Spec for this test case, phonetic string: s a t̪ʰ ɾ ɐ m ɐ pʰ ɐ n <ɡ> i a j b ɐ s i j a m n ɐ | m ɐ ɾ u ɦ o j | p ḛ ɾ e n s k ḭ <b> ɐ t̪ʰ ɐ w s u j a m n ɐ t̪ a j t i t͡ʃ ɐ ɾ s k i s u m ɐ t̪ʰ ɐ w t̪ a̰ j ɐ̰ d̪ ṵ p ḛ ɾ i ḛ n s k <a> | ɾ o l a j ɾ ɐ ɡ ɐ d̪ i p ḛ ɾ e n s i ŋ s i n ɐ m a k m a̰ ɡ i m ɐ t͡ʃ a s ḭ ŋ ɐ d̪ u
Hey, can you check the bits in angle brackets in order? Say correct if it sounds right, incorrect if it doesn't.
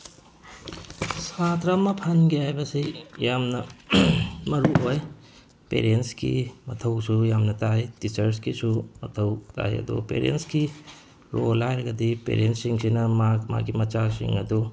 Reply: correct, incorrect: m, incorrect: i

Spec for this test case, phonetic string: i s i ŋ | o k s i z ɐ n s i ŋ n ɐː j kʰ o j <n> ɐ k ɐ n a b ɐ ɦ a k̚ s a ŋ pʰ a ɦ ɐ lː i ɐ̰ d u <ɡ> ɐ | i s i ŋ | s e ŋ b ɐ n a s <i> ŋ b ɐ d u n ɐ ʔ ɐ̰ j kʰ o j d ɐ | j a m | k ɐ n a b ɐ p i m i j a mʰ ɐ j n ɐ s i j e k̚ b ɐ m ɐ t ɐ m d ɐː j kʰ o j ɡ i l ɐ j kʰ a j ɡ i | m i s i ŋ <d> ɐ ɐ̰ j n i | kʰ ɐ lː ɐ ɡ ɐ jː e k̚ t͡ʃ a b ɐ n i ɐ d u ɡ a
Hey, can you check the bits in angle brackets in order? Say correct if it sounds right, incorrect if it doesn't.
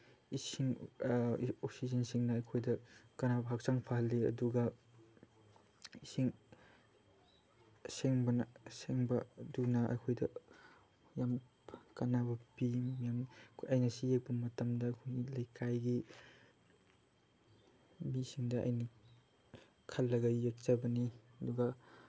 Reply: incorrect: d, correct, incorrect: e, correct

